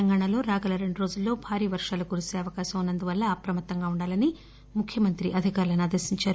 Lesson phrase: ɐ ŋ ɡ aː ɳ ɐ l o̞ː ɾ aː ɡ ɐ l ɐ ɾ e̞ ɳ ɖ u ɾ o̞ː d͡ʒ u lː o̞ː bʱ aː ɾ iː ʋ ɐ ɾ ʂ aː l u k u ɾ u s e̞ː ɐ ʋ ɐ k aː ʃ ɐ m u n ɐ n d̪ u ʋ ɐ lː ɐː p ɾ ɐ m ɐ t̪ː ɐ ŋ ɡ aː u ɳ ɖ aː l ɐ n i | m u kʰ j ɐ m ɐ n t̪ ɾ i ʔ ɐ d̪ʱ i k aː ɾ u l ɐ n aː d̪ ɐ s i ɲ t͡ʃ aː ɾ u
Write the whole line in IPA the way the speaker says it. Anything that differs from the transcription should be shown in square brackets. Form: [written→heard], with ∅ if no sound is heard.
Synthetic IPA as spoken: ɐ ŋ ɡ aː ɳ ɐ l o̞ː ɾ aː ɡ ɐ l ɐ ɾ e̞ ɳ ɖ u ɾ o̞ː d͡ʒ u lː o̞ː bʱ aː ɾ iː ʋ ɐ ɾ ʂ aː l u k u ɾ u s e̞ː ɐ ʋ ɐ k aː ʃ ɐ m u [n→nː] ɐ n d̪ u ʋ ɐ lː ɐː p ɾ ɐ m ɐ t̪ː ɐ ŋ ɡ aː u ɳ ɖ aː l ɐ n i | m u kʰ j ɐ m ɐ n t̪ ɾ i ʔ ɐ d̪ʱ i k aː ɾ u l ɐ n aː d̪ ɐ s i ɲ t͡ʃ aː ɾ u